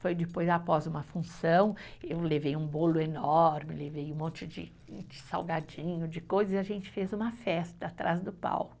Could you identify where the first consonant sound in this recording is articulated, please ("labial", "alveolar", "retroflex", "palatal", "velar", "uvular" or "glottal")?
labial